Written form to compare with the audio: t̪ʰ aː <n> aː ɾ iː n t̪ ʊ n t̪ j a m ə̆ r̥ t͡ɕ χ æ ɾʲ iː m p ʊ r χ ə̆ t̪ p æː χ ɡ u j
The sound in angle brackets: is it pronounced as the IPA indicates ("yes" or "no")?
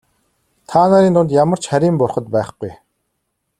yes